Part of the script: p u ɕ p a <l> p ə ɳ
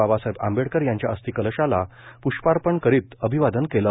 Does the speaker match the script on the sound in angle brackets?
no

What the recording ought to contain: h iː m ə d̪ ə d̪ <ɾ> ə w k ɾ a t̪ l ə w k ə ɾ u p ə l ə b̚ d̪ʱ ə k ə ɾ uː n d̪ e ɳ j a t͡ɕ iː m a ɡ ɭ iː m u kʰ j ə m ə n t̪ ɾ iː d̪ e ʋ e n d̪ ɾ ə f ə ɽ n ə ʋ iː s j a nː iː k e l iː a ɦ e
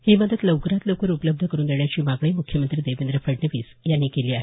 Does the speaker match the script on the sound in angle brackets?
no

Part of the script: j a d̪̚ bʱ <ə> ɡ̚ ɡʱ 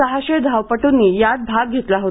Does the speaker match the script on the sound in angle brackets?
no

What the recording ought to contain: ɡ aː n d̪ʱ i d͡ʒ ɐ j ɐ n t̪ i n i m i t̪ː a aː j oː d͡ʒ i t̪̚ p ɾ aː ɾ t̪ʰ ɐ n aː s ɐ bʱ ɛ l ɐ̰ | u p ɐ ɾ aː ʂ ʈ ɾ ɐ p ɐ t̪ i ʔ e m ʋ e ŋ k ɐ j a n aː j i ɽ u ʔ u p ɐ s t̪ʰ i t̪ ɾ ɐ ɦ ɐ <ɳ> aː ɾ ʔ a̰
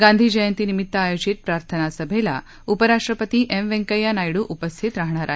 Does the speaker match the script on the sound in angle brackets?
yes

